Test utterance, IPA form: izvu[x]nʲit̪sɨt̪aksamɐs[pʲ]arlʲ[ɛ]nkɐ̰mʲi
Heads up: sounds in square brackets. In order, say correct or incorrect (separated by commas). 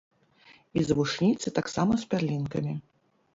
incorrect, correct, incorrect